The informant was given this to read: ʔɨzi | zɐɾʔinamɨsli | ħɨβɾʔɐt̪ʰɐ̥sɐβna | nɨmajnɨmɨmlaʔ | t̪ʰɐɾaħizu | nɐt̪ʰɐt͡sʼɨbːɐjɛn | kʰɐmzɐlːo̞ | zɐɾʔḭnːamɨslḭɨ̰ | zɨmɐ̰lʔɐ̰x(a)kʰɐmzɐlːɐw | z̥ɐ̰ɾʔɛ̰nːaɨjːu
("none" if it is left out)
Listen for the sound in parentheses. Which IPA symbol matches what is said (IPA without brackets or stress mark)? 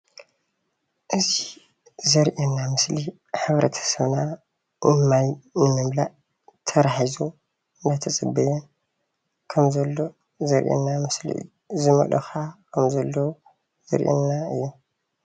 a